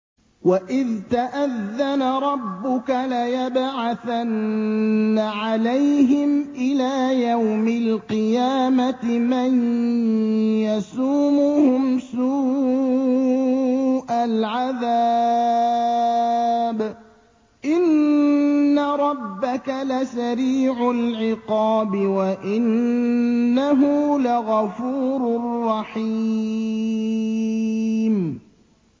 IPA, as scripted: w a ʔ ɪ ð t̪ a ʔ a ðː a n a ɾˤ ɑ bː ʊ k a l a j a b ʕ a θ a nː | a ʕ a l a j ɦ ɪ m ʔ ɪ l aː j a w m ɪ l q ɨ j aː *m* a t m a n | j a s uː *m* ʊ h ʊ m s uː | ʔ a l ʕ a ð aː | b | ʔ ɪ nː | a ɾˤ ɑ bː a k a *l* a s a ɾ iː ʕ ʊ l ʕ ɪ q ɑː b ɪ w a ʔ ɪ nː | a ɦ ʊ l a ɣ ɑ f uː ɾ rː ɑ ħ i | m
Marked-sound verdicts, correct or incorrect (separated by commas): correct, correct, correct